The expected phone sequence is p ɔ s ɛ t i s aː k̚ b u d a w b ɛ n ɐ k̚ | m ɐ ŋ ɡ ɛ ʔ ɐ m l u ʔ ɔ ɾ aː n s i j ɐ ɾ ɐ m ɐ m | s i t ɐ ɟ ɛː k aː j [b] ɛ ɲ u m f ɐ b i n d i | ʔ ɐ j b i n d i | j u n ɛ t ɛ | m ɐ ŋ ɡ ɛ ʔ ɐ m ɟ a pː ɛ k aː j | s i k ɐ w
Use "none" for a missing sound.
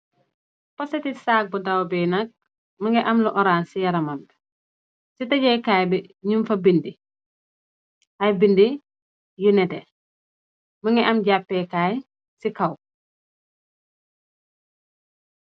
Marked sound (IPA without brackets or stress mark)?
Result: b